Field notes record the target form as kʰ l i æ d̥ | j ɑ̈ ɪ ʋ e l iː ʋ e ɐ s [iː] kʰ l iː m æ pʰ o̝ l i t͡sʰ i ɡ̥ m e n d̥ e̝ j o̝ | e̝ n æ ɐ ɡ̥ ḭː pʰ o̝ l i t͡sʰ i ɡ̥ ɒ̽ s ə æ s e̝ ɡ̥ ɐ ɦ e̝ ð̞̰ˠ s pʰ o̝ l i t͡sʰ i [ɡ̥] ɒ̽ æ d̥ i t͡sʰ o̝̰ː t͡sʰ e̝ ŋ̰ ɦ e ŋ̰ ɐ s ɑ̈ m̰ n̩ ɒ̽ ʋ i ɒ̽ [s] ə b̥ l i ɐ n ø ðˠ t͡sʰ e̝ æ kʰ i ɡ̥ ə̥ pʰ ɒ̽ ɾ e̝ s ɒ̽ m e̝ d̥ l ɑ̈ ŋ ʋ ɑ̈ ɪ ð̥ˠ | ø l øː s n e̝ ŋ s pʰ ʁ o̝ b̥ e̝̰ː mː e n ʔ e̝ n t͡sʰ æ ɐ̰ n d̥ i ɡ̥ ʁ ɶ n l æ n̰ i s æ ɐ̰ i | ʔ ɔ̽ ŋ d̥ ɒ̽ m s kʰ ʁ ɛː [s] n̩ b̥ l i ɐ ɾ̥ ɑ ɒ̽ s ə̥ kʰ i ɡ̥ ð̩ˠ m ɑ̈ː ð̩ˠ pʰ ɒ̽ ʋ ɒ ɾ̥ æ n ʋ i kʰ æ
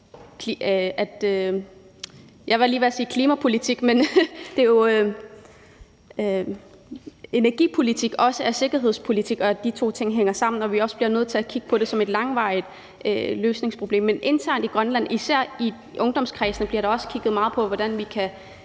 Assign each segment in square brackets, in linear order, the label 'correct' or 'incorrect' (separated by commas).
correct, correct, correct, correct